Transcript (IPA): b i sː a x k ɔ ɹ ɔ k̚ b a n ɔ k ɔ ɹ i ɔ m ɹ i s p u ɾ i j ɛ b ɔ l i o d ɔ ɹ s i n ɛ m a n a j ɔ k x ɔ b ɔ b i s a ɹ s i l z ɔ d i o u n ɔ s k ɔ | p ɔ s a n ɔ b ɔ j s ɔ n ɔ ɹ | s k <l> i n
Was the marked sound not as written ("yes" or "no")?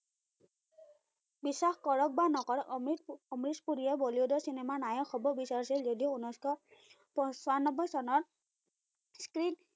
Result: yes